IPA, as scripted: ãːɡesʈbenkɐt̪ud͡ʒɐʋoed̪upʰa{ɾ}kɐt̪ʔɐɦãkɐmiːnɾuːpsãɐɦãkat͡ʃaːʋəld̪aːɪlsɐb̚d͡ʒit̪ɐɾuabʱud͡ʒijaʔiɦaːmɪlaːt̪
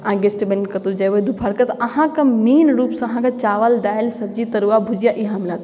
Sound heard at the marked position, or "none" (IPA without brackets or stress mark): ɾ